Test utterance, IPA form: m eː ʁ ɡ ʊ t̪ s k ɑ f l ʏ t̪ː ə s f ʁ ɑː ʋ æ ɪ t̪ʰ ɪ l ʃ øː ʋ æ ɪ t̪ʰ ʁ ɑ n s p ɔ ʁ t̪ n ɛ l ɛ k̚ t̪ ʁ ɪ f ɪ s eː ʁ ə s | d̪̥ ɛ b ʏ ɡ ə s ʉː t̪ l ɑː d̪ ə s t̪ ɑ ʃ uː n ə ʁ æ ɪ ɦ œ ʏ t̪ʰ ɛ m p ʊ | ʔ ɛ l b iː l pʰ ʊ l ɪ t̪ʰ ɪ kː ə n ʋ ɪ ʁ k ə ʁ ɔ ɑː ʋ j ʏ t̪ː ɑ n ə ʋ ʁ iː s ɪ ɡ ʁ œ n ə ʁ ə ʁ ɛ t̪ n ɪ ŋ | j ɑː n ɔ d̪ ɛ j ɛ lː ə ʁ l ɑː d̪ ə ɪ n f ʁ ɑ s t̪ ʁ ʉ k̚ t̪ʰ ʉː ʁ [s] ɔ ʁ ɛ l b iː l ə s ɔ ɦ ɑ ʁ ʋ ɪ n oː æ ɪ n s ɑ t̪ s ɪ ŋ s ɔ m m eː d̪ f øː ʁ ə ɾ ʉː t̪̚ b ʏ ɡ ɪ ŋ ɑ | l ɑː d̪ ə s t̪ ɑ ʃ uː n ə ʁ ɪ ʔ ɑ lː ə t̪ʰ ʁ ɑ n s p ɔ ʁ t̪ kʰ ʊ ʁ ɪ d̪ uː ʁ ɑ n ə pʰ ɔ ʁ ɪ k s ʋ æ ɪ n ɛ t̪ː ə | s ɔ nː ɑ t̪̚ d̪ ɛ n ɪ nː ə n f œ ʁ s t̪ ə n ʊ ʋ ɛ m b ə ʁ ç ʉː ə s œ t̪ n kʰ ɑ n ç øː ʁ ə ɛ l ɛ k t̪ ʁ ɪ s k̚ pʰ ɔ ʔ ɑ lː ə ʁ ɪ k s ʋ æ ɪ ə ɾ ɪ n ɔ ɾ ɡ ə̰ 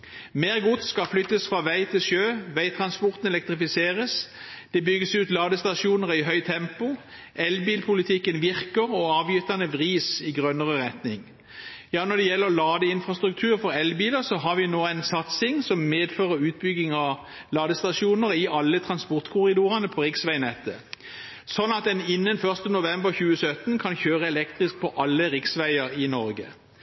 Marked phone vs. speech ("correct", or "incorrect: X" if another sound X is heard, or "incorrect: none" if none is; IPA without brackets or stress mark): incorrect: f